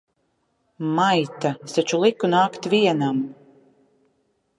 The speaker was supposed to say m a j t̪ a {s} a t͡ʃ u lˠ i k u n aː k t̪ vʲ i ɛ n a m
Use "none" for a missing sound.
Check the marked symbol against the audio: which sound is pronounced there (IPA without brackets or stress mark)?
s